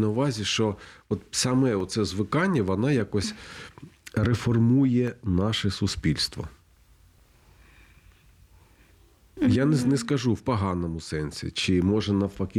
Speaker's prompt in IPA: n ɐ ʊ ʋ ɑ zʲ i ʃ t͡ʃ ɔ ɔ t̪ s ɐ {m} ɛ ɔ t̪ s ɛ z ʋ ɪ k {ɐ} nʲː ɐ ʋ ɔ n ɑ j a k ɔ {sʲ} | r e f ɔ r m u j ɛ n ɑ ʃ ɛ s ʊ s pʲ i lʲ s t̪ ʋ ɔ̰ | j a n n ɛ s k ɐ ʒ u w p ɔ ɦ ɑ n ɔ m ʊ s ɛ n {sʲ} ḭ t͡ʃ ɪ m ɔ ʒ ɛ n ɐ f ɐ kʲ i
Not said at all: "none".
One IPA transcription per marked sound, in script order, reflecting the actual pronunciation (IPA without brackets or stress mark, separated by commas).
m, ɑ, sʲ, sʲ